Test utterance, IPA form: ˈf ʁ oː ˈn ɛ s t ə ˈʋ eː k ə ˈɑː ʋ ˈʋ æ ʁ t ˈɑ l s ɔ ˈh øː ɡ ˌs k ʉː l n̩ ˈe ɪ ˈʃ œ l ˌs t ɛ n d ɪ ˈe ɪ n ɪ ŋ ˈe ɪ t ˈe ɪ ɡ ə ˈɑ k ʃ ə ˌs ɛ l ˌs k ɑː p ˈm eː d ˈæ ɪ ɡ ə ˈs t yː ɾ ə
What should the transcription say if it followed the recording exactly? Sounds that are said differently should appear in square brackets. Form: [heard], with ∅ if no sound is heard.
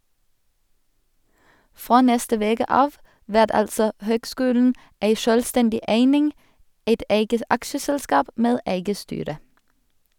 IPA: ˈf ʁ oː ˈn ɛ s t ə ˈʋ eː k ə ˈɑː ʋ ˈʋ æ ʁ t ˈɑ l s ɔ ˈh øː ɡ ˌs k ʉː l n̩ ˈe ɪ ˈʃ œ l ˌs t ɛ n d ɪ ˈe ɪ n ɪ ŋ ˈe ɪ t ˈe ɪ ɡ ə ˈɑ k ʃ ə ˌs ɛ l ˌs k ɑː p ˈm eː d ˈæ ɪ ɡ ə ˈs t yː ɾ ə